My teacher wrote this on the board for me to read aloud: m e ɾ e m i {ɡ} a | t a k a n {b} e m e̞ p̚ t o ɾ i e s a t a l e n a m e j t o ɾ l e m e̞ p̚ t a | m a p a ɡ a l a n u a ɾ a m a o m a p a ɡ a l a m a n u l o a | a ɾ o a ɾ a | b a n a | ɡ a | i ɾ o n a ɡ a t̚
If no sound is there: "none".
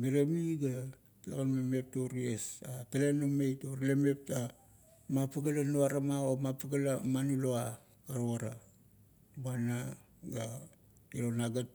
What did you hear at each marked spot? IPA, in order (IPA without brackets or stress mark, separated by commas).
ɡ, m